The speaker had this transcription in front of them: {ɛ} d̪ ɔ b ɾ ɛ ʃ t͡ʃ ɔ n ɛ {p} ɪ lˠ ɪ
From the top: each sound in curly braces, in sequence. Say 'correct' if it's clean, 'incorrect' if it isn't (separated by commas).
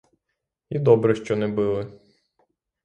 incorrect, incorrect